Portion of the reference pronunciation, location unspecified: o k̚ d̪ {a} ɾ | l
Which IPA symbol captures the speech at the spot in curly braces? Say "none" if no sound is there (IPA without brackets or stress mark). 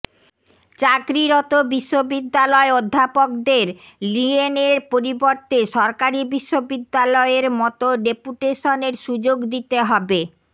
e